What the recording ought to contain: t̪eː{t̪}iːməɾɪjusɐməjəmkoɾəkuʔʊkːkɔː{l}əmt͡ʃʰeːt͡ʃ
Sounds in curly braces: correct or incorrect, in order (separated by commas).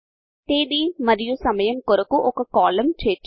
incorrect, correct